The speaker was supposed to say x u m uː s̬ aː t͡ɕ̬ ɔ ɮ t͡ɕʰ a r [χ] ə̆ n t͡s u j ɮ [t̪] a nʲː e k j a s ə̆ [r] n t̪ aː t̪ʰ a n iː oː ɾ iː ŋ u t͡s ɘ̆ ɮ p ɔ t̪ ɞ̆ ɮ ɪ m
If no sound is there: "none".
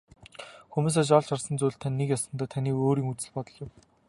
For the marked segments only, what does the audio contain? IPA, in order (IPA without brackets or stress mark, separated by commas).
s, t̪ʰ, none